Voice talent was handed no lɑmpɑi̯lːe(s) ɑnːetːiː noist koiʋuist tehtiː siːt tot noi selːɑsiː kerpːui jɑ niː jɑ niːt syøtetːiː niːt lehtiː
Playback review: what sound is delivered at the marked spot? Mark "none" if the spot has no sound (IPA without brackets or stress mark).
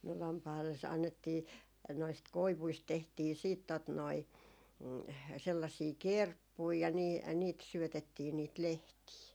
s